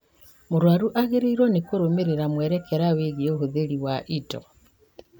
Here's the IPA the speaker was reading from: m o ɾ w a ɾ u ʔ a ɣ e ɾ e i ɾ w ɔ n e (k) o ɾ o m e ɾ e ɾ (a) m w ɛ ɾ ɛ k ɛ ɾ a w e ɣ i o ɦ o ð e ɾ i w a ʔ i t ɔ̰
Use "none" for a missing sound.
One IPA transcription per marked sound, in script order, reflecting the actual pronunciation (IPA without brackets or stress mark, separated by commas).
k, a